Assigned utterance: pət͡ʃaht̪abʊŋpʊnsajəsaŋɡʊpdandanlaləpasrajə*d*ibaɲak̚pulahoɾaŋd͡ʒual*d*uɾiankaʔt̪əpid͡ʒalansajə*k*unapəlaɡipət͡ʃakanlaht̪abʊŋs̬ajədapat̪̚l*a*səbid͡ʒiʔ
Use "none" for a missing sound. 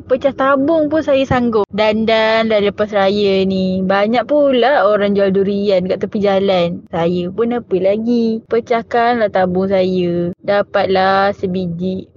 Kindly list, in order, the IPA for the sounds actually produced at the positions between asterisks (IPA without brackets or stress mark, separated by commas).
n, d, p, a